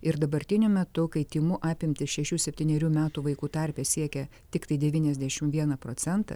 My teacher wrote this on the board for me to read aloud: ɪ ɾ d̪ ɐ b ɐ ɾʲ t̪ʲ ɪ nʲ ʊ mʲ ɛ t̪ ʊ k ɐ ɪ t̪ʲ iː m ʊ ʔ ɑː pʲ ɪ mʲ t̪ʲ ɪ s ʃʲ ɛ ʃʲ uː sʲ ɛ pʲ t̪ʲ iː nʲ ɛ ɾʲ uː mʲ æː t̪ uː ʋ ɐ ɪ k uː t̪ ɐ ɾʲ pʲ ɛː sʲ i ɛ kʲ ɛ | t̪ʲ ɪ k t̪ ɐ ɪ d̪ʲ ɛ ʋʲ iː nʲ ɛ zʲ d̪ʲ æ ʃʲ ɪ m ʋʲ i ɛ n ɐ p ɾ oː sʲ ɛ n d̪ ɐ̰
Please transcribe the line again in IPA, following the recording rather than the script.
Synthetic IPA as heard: ɪ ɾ d̪ ɐ b ɐ ɾʲ t̪ʲ ɪ nʲ ʊ mʲ ɛ t̪ ʊ k ɐ ɪ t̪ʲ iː m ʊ ʔ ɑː pʲ ɪ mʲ t̪ʲ ɪ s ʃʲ ɛ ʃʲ uː sʲ ɛ pʲ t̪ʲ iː nʲ ɛ ɾʲ uː mʲ æː t̪ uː ʋ ɐ ɪ k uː t̪ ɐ ɾʲ pʲ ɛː sʲ i ɛ kʲ ɛ | t̪ʲ ɪ k t̪ ɐ ɪ d̪ʲ ɛ ʋʲ iː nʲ ɛ zʲ d̪ʲ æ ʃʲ ɪ m ʋʲ i ɛ n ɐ p ɾ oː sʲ ɛ n t̪ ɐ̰